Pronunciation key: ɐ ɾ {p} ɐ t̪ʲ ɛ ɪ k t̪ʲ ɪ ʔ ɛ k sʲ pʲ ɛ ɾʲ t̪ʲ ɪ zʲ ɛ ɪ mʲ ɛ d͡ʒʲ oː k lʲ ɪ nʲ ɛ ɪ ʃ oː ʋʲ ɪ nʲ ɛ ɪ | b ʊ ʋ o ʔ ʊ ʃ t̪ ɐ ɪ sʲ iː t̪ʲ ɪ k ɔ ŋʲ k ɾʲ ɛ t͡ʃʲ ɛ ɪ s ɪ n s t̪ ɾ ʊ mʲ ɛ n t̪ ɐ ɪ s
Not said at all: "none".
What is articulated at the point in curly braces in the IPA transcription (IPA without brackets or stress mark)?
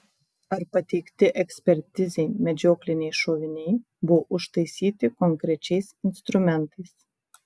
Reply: p